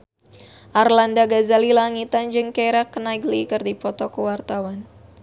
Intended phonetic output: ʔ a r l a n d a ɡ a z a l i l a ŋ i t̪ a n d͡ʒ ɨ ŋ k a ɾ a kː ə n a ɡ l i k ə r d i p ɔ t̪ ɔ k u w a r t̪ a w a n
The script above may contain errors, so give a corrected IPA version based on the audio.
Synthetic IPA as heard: ʔ a r l a n d a ɡ a z a l i l a ŋ i t̪ a n d͡ʒ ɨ ŋ k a ɾ a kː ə n a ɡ l i k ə r d i p ɔ t̪ ɔ k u w a r t̪ a w a n